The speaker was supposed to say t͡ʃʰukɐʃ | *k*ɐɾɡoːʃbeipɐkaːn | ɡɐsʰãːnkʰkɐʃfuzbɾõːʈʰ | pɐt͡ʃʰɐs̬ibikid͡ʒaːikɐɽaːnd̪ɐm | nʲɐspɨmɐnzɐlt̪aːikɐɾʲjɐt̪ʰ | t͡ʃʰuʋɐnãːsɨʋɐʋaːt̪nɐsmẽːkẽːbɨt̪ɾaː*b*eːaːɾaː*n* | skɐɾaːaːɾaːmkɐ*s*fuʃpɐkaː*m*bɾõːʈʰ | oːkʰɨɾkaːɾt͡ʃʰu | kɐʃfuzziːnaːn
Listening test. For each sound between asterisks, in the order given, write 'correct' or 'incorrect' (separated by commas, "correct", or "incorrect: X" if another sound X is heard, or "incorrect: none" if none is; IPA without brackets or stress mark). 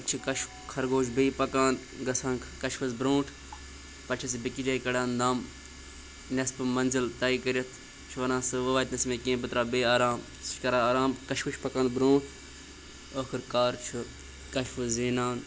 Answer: incorrect: kʰ, correct, incorrect: m, incorrect: ʃ, incorrect: n